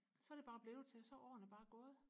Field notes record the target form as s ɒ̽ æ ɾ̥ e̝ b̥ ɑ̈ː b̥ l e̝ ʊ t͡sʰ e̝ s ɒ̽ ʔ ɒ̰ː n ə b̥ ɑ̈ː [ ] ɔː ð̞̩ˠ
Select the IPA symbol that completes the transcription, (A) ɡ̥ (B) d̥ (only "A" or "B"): A